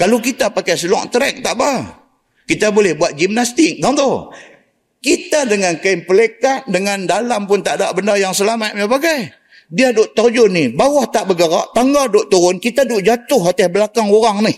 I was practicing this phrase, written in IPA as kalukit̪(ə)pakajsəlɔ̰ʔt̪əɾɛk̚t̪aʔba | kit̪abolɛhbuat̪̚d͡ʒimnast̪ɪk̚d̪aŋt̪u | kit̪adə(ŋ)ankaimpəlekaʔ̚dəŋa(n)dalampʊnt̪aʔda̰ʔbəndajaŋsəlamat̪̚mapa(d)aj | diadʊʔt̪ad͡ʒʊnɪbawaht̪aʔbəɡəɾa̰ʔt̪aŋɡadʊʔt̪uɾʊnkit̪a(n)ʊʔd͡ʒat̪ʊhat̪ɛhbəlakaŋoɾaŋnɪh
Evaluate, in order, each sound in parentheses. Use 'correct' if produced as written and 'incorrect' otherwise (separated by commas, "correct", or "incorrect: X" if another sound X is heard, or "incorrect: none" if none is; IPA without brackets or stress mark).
incorrect: a, correct, correct, incorrect: ɡ, incorrect: d